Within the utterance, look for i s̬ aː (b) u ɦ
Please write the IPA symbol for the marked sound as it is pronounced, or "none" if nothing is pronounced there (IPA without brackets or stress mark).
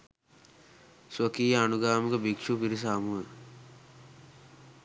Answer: m